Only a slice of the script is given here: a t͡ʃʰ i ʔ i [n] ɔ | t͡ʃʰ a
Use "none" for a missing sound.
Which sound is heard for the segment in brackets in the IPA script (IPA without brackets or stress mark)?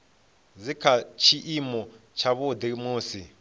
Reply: m